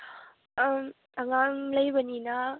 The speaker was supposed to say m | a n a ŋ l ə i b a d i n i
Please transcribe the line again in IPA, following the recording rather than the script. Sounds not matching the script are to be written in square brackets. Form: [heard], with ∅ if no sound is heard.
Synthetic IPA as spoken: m | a [ŋ] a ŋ l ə [j] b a [n] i n [a]